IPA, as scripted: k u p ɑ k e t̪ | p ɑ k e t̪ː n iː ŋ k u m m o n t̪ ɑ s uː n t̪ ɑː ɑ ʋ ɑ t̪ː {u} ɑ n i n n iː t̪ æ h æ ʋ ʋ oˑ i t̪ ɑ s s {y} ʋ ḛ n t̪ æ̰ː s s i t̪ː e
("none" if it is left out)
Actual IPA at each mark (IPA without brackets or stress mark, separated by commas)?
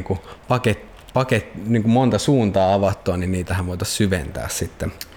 o, y